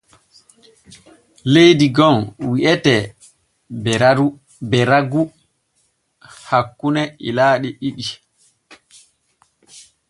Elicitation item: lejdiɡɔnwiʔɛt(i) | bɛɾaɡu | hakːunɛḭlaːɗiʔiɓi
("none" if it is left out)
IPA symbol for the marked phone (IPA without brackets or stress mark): ɛ